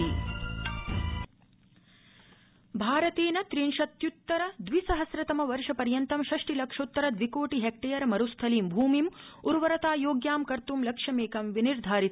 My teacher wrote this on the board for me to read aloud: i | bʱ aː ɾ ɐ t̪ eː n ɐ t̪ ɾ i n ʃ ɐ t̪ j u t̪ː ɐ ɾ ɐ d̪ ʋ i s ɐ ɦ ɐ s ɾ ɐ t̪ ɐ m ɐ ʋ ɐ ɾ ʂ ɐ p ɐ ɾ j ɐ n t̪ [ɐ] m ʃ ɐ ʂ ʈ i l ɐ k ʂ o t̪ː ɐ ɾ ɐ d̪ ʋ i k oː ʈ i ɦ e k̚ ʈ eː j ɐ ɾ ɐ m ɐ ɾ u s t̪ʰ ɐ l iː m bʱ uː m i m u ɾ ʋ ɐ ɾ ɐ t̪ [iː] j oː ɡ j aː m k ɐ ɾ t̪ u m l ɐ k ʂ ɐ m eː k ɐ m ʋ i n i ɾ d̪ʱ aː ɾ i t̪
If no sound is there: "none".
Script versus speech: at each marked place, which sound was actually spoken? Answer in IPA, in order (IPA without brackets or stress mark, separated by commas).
ɐ, aː